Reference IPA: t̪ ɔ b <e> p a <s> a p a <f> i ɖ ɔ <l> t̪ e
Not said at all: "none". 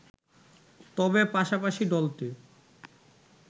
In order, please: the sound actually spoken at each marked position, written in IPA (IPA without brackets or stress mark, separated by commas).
e, ʃ, ʃ, l